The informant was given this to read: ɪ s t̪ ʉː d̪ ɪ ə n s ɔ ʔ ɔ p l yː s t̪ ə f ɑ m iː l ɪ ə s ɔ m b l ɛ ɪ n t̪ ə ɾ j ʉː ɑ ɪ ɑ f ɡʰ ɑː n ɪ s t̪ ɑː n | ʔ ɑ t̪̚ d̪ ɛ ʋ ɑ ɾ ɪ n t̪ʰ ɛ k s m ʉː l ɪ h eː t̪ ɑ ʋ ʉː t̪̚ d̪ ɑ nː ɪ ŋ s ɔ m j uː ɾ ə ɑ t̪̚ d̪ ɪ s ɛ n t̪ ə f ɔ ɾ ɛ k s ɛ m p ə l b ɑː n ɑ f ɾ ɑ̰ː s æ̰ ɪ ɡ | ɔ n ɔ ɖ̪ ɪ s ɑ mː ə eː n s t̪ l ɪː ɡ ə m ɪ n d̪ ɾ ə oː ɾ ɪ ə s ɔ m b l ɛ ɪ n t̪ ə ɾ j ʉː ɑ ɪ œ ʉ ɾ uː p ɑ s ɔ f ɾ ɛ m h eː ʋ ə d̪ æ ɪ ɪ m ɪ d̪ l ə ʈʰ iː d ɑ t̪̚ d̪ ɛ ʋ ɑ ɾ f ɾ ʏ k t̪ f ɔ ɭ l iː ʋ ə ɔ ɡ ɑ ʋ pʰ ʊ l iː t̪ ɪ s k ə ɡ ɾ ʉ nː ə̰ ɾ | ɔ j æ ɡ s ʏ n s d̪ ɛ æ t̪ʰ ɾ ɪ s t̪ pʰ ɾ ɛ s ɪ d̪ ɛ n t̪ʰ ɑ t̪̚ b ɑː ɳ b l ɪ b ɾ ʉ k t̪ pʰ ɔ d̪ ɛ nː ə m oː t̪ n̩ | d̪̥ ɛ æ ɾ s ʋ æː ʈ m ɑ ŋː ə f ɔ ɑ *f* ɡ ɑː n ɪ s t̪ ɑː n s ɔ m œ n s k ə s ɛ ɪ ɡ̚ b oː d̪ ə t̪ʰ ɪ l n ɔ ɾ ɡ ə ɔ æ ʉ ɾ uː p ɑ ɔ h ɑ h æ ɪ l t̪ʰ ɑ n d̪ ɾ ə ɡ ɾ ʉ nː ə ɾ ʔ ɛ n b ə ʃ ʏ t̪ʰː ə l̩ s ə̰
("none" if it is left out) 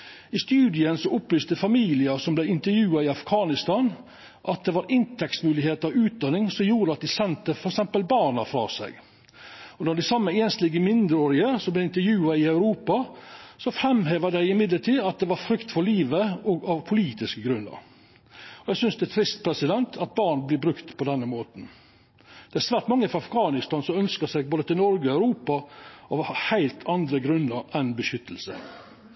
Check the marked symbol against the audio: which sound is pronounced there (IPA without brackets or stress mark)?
f